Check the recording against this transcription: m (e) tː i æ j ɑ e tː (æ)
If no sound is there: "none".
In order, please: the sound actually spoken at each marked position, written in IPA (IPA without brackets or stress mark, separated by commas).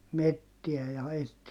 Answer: e, i